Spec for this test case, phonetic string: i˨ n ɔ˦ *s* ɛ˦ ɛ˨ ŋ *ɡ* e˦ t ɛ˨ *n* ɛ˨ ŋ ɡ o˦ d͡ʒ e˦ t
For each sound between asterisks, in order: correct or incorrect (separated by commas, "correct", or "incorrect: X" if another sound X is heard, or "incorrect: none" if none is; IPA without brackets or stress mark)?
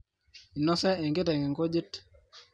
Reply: correct, correct, incorrect: ŋ